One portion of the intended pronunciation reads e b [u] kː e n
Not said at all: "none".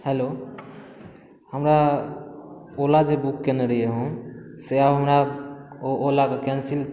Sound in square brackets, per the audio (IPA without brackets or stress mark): u